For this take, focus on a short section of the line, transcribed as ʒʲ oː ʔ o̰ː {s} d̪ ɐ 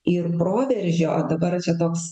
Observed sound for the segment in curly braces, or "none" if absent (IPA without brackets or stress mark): none